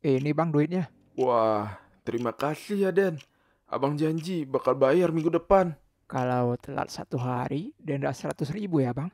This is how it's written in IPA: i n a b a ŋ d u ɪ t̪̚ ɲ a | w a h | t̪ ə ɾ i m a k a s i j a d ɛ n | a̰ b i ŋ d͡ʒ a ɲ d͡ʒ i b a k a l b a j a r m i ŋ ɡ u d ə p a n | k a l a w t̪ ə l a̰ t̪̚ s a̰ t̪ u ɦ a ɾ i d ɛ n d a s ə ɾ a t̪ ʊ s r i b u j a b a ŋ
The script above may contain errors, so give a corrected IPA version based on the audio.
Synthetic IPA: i n i b a ŋ d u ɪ t̪̚ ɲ a | w a h | t̪ ə ɾ i m a k a s i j a d ɛ n | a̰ b a ŋ d͡ʒ a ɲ d͡ʒ i b a k a l b a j a r m i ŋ ɡ u d ə p a n | k a l a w t̪ ə l a̰ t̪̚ s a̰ t̪ u ɦ a ɾ i d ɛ n d a s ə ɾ a t̪ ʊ s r i b u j a b a ŋ